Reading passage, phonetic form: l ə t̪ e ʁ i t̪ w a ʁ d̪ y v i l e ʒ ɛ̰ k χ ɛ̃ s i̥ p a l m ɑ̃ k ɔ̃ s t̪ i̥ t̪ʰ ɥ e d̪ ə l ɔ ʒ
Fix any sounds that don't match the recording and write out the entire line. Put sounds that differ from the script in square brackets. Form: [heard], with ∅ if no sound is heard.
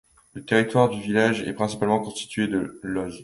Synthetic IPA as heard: l ə t̪ e ʁ i t̪ w a ʁ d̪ y v i l [a] ʒ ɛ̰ [p] χ ɛ̃ s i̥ p a l m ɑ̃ k ɔ̃ s t̪ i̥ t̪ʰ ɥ e d̪ ə l ɔ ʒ